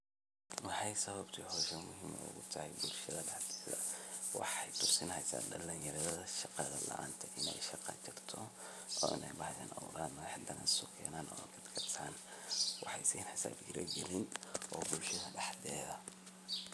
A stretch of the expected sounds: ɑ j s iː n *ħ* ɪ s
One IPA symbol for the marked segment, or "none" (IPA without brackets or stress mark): ħ